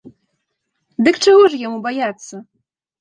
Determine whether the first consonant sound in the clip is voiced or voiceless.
voiced